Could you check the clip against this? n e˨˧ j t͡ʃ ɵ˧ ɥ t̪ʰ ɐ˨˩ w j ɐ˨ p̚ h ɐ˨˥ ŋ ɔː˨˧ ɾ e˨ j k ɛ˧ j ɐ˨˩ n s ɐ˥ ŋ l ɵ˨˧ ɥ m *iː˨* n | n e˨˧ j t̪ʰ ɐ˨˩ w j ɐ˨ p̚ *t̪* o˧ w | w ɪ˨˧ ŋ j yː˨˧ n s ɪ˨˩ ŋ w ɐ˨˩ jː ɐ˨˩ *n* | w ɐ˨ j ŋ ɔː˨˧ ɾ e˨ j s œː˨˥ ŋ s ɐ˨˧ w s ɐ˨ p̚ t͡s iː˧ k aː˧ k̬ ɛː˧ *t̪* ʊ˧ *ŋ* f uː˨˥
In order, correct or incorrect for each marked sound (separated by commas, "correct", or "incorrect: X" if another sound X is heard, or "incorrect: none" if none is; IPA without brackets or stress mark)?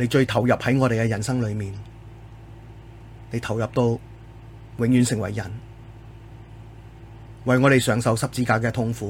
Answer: correct, correct, correct, incorrect: t̪ʰ, correct